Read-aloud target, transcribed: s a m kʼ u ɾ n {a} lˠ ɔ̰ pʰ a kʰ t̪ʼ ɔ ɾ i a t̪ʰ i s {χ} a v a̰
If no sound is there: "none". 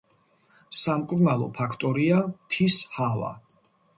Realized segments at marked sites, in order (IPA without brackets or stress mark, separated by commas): a, h